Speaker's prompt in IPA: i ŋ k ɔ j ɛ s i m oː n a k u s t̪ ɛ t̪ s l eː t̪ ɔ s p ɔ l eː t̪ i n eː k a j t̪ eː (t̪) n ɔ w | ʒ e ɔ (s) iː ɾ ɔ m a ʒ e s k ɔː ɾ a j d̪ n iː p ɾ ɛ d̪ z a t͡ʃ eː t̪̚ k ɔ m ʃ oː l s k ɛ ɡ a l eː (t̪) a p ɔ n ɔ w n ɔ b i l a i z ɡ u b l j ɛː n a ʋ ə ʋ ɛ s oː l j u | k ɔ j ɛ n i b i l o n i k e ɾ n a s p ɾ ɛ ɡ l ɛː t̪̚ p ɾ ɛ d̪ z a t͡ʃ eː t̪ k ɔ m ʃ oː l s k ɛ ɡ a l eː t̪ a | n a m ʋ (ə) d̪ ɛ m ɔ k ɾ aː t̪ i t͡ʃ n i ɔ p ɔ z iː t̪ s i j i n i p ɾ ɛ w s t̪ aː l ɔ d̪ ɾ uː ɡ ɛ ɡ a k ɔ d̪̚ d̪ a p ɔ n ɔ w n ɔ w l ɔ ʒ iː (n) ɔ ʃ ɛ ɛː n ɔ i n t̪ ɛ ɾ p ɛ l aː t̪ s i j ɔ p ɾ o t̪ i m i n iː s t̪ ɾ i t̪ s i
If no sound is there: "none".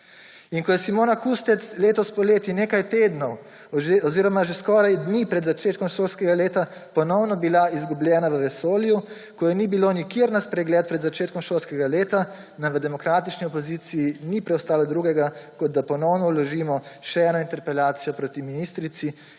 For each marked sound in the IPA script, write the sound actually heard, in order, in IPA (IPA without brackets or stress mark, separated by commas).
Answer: d̪, z, t̪, ə, m